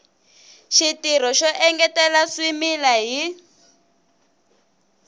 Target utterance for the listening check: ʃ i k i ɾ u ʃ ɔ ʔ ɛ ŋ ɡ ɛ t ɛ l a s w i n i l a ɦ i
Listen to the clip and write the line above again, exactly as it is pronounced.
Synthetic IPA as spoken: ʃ i t i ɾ ɔ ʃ ɔ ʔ ɛ ŋ ɡ ɛ t ɛ l a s w i m i l a ɦ i